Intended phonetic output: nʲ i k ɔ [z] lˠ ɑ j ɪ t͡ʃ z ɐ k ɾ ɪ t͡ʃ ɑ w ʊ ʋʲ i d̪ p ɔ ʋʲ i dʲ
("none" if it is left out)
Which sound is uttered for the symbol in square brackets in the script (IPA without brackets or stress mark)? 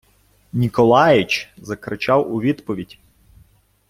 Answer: none